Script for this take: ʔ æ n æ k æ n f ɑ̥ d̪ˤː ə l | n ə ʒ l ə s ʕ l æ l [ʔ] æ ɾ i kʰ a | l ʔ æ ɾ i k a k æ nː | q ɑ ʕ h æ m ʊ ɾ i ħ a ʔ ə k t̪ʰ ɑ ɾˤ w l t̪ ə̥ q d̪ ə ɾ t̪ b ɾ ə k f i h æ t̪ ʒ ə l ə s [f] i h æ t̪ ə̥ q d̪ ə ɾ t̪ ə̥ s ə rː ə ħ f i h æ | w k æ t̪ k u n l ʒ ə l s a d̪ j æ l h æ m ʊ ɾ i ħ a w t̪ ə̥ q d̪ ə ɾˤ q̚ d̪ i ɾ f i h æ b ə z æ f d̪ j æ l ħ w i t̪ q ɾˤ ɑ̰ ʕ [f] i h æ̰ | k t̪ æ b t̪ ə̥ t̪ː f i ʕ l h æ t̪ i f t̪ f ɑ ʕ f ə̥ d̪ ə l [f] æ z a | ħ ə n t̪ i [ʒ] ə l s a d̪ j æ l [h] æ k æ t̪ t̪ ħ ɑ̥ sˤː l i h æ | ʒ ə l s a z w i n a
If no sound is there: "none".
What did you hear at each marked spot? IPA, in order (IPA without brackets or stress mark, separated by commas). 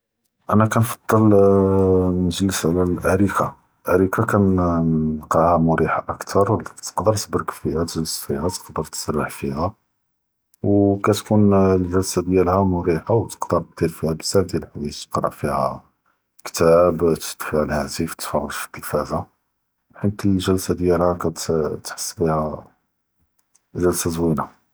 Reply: ʔ, f, f, f, ʒ, h